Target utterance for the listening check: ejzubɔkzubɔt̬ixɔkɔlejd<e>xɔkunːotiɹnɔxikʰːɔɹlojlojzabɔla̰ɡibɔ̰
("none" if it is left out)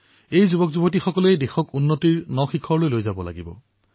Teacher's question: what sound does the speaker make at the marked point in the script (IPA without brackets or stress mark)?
e